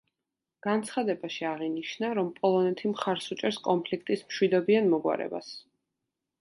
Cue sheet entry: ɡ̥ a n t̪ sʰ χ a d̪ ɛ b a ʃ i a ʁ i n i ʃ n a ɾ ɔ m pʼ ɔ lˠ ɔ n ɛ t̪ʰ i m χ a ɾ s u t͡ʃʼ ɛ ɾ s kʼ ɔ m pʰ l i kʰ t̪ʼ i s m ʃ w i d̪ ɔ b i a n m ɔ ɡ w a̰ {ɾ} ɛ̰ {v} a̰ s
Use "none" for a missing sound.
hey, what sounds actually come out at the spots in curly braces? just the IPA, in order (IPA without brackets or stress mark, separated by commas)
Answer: ɾ, b